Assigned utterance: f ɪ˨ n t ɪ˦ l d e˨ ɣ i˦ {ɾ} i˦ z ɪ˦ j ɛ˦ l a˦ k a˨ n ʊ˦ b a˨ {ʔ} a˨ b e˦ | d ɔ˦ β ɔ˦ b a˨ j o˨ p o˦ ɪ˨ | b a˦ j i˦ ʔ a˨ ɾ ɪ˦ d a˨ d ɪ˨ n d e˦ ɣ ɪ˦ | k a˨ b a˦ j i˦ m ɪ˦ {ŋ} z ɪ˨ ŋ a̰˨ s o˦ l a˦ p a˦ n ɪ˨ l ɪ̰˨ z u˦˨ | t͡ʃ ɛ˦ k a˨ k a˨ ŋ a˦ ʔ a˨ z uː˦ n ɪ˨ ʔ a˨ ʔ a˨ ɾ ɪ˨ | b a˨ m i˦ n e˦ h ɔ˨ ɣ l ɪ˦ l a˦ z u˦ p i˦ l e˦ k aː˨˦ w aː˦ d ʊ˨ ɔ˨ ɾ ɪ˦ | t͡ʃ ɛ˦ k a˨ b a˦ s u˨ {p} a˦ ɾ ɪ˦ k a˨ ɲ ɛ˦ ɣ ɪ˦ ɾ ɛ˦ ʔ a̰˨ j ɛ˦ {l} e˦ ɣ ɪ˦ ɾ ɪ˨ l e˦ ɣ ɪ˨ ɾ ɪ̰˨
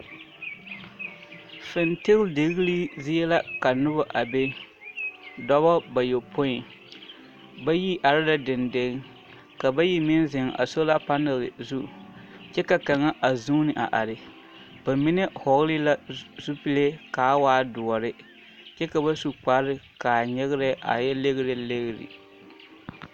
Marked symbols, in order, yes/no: no, yes, no, no, yes

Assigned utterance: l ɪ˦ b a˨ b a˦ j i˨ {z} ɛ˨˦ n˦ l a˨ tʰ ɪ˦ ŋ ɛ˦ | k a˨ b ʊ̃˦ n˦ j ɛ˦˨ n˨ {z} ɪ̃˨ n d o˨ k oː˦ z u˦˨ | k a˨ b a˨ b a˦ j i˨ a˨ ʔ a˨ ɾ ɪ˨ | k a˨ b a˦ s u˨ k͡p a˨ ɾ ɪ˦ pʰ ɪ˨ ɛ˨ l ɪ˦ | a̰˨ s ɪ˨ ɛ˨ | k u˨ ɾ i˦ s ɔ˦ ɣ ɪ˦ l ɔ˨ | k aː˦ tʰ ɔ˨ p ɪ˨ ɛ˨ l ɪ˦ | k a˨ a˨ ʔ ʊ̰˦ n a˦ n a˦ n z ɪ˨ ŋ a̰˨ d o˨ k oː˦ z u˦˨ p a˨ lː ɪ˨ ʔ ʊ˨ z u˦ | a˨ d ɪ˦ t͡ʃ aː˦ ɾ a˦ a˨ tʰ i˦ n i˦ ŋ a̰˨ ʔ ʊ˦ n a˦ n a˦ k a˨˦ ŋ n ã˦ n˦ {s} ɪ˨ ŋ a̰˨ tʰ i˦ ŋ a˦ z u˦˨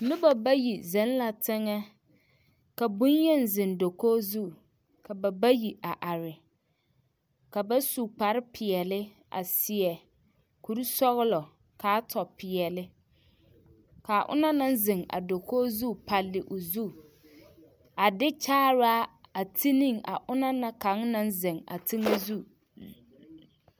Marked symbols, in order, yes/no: yes, yes, no

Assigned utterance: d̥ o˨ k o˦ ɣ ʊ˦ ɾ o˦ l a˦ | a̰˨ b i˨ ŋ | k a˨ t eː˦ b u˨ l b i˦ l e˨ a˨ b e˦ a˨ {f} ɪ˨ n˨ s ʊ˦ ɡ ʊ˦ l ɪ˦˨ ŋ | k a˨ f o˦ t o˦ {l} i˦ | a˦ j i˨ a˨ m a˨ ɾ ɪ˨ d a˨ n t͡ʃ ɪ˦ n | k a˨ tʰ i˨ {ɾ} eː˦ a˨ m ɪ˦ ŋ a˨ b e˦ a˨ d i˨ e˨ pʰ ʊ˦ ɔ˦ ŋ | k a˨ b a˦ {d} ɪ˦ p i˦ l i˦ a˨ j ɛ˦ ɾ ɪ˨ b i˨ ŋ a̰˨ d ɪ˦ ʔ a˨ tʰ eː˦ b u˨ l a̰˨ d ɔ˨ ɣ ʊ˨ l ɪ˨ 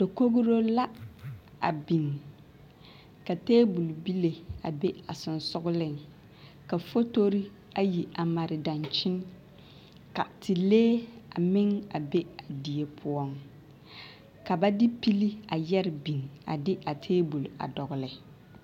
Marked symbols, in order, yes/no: no, no, no, yes

